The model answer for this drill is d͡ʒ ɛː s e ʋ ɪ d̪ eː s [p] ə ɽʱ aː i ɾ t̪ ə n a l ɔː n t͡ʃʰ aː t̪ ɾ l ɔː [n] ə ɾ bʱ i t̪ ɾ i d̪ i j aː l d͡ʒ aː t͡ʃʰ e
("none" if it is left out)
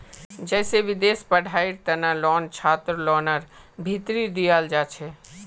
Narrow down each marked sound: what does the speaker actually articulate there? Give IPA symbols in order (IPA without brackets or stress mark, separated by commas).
p, n